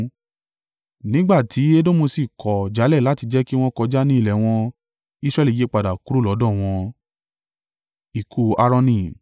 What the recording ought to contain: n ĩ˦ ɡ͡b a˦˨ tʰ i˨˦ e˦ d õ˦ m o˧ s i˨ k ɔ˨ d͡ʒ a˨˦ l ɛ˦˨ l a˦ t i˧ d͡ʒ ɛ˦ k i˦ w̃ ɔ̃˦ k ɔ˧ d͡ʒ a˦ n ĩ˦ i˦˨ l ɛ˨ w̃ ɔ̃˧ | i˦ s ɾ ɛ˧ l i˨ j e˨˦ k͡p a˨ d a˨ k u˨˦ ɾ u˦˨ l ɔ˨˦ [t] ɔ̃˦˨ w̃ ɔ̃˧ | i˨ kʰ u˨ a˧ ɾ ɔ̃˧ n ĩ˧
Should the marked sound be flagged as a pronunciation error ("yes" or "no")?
yes